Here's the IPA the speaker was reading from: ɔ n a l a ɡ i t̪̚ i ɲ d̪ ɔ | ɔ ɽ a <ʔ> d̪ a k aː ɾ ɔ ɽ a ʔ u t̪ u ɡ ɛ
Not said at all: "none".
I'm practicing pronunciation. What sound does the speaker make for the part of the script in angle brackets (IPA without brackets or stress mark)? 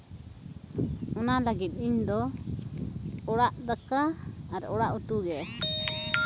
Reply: ʔ